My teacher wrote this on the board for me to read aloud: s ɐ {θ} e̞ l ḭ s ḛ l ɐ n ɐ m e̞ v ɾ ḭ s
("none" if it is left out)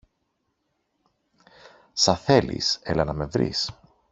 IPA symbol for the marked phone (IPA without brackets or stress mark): θ